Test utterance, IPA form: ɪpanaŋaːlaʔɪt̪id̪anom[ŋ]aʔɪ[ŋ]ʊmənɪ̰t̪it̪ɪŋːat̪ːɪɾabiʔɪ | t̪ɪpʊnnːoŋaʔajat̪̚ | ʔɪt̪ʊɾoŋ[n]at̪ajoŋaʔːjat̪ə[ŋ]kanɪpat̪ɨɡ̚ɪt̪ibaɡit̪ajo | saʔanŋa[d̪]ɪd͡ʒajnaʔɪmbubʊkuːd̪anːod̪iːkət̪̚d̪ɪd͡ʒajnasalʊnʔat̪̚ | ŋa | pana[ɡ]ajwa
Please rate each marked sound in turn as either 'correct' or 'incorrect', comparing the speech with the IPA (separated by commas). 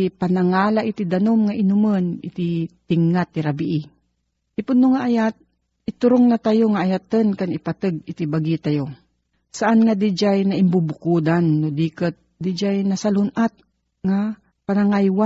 correct, incorrect, correct, incorrect, correct, incorrect